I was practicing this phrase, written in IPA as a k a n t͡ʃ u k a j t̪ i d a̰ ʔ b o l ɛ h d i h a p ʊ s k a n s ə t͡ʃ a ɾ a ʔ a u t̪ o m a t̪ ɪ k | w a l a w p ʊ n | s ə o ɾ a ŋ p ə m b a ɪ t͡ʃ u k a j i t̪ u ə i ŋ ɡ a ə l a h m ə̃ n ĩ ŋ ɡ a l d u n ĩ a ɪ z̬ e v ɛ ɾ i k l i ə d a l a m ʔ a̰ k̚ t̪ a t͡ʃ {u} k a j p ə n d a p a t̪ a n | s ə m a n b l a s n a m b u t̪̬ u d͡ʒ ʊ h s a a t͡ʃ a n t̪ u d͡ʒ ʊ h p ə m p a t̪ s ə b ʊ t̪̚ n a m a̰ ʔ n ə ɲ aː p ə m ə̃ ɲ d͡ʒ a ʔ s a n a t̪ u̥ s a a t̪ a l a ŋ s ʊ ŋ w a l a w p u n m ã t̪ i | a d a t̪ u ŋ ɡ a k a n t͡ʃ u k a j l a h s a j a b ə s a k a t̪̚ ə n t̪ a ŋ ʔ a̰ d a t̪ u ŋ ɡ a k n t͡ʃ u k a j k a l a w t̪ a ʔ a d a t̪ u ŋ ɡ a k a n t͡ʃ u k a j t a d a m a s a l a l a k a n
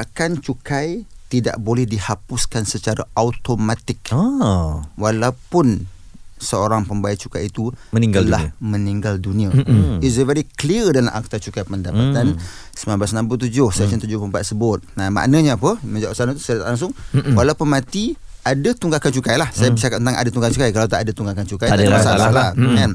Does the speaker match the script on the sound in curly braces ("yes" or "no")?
yes